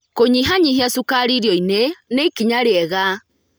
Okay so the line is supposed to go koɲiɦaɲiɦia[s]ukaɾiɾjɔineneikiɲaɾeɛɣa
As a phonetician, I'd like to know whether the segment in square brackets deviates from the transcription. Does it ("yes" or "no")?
no